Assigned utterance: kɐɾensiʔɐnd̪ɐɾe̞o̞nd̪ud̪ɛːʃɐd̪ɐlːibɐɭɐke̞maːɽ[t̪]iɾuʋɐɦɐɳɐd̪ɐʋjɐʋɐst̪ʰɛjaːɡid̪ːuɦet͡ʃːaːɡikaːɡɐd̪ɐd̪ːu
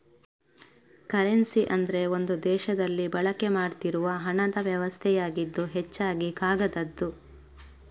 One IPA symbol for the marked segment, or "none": t̪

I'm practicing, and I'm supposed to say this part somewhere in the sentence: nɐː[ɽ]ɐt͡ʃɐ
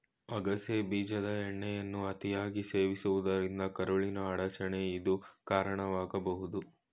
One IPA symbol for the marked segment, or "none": ɽ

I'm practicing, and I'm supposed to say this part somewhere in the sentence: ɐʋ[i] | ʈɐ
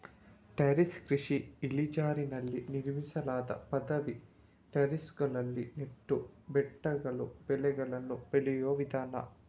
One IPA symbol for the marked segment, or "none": i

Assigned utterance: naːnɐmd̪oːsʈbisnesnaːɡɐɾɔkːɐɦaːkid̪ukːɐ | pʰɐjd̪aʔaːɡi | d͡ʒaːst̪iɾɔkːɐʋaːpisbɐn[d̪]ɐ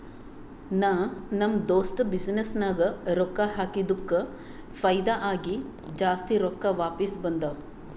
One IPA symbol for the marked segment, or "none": d̪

